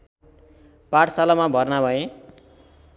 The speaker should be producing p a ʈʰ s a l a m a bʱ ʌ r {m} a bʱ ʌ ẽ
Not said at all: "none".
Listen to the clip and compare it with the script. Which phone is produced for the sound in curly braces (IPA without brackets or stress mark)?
n